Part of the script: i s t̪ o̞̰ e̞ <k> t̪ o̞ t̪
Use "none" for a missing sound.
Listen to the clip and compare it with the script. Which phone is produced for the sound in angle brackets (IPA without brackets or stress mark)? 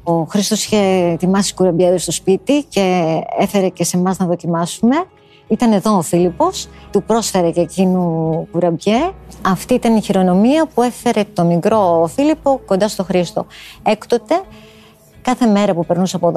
k